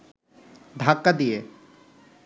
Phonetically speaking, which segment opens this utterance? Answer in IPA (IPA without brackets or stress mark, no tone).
d̪ʱ